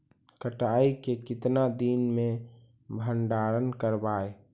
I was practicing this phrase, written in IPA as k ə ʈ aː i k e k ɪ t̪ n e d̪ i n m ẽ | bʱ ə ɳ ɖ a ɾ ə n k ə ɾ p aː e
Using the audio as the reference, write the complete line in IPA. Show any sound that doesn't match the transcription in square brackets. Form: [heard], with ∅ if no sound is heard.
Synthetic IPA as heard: k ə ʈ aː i k e k ɪ t̪ n [a] d̪ i n m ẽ | bʱ ə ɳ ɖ a ɾ ə n k ə ɾ [b] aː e